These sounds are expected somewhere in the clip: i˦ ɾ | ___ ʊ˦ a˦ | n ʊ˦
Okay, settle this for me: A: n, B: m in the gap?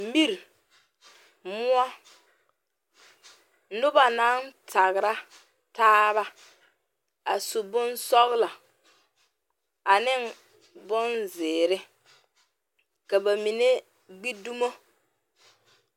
B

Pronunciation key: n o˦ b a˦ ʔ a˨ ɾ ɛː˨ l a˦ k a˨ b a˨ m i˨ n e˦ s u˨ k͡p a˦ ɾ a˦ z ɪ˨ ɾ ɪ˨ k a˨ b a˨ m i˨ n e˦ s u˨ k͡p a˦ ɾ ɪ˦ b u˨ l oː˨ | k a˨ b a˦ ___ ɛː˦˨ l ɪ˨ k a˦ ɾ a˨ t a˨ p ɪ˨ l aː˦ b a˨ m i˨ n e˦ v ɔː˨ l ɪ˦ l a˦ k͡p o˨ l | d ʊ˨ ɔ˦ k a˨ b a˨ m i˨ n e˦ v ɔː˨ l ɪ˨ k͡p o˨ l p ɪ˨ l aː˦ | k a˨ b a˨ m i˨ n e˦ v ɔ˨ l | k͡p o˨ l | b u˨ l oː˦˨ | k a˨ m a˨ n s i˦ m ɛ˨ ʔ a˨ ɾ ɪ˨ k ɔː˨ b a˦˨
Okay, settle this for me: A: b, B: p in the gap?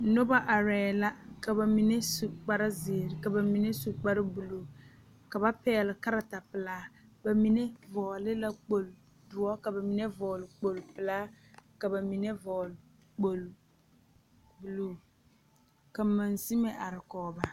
B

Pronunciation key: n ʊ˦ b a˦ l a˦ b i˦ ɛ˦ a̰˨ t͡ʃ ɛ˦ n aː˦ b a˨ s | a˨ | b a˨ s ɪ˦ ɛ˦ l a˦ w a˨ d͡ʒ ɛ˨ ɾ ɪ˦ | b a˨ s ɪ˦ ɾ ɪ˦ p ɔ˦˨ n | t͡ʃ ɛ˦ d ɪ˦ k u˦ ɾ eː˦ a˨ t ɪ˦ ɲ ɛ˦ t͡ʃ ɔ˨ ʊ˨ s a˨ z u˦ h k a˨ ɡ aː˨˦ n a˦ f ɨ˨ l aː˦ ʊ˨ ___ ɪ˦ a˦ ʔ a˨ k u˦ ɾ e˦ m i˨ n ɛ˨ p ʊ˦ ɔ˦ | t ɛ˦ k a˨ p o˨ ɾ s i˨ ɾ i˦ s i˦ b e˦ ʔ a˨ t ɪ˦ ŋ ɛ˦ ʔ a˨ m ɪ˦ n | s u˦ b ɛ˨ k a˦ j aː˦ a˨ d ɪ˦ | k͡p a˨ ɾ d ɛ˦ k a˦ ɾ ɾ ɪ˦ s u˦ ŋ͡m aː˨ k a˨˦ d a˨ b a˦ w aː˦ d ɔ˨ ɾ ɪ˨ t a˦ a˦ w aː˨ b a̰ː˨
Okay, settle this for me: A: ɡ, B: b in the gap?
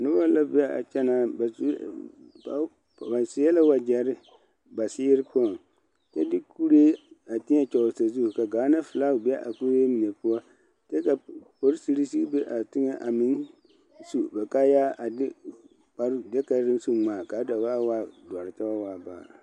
B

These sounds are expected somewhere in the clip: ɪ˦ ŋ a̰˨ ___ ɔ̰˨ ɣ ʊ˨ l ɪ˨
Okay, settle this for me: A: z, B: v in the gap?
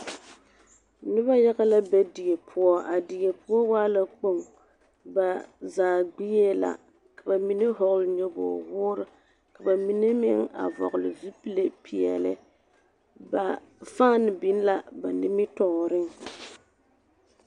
B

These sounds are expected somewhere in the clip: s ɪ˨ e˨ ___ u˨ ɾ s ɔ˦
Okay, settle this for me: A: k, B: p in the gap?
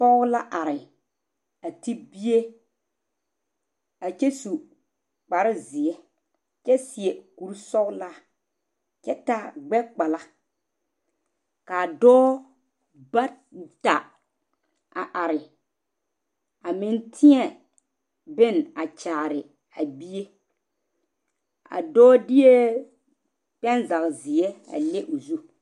A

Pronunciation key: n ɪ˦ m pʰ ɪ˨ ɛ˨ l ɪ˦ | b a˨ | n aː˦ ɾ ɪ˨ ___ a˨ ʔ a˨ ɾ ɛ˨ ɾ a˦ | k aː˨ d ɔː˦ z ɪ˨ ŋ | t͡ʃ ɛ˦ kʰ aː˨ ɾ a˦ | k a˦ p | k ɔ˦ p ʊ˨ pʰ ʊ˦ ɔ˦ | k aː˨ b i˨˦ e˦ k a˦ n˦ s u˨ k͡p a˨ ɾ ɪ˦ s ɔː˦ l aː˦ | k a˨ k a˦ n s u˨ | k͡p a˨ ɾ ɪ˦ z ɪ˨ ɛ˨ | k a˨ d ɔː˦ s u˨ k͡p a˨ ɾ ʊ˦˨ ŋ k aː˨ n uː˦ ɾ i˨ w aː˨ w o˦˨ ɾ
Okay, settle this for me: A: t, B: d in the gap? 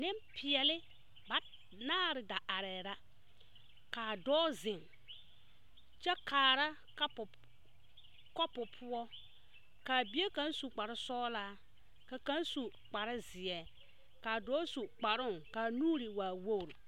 B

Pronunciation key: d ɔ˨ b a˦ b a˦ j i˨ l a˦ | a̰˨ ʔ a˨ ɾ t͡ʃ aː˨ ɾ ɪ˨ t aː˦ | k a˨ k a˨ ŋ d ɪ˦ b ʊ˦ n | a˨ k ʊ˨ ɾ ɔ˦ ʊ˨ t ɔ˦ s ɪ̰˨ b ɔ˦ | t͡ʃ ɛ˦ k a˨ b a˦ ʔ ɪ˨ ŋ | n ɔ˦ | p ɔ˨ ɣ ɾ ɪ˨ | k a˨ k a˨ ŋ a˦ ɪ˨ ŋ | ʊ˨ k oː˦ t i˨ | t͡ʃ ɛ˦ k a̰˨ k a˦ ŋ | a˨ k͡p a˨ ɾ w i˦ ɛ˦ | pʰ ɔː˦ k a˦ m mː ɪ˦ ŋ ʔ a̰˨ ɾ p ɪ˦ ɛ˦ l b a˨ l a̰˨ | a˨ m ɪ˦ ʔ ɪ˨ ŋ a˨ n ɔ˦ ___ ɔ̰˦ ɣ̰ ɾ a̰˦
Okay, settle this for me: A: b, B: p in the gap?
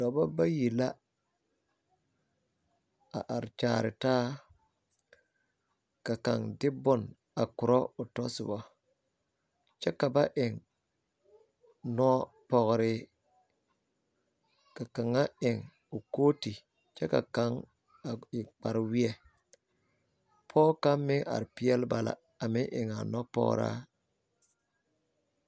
B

